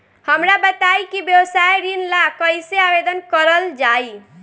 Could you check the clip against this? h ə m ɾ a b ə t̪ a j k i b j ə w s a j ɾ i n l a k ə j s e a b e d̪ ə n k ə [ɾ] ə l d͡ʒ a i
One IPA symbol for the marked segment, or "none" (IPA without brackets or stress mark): ɾ